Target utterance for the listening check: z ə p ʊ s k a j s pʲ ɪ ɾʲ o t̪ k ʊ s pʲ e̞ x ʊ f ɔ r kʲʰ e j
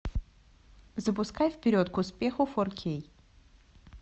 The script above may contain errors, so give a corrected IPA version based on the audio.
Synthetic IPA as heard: z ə p ʊ s k a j f pʲ ɪ ɾʲ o t̪ k ʊ s pʲ e̞ x ʊ f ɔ r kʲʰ e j